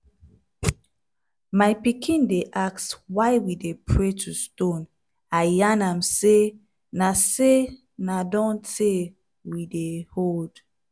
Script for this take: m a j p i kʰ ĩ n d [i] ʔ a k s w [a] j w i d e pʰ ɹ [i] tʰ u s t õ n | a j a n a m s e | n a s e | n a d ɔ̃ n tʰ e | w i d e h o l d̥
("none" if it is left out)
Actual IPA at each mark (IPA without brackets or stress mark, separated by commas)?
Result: e, a, e